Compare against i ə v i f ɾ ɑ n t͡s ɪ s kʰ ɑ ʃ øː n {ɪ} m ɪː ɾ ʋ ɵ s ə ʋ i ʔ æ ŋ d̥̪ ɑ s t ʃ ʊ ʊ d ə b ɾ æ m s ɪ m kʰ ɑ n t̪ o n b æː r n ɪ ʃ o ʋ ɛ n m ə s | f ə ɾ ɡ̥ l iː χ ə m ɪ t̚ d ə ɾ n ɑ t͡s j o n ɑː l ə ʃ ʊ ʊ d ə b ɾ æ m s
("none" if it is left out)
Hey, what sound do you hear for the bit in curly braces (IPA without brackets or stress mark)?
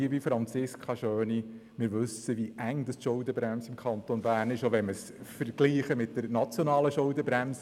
i